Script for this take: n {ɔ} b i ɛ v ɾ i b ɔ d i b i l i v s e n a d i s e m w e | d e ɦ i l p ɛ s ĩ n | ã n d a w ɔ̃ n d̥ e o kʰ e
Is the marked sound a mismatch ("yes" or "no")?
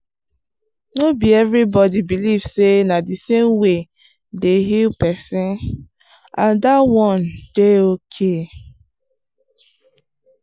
yes